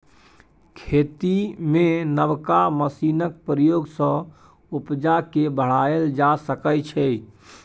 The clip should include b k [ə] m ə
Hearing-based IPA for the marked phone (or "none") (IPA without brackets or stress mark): a